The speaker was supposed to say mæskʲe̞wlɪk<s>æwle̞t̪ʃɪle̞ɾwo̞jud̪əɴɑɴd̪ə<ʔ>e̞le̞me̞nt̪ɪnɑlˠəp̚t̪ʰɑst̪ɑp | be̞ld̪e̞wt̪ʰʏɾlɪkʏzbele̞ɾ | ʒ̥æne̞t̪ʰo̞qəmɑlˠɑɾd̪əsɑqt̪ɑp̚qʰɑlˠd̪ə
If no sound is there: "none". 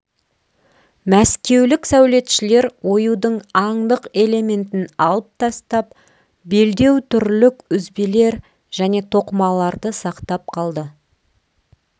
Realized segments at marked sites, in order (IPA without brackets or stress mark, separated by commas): s, q